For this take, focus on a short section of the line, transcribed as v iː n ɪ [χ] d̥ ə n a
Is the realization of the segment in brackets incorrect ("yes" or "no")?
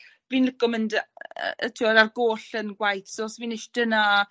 yes